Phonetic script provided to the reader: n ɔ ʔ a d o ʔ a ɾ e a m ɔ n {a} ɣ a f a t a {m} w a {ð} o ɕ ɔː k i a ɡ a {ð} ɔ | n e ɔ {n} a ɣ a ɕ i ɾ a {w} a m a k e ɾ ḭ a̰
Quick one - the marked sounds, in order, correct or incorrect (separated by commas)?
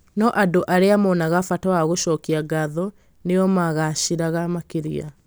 correct, incorrect, incorrect, correct, incorrect, incorrect